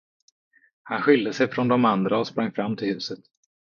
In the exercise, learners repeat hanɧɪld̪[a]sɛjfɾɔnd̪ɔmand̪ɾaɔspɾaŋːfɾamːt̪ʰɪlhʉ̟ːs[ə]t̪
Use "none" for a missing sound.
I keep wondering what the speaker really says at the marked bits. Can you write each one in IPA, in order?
ə, ə

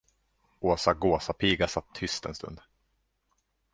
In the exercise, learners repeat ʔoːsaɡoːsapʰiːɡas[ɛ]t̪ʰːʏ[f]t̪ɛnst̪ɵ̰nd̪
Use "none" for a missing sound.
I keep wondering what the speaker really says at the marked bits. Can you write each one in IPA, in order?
a, s

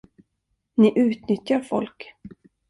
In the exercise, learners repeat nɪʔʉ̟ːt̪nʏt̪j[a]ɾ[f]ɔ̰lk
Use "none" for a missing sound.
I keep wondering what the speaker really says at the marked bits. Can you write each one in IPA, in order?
a, f

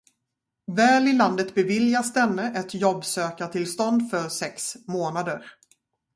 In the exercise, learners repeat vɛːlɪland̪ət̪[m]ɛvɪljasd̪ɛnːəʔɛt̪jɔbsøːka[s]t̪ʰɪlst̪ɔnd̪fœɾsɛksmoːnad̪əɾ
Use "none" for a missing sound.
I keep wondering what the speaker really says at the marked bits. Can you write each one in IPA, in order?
b, none

